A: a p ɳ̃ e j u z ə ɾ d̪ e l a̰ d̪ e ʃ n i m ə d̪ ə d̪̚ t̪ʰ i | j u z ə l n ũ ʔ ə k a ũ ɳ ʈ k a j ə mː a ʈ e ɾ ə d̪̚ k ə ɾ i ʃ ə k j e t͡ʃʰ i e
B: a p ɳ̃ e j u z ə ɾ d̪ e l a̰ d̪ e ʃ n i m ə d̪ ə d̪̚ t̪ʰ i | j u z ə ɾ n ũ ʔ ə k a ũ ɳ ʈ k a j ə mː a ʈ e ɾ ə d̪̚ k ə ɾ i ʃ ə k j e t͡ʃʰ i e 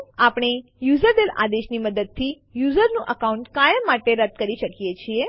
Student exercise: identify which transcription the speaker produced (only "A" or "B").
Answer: B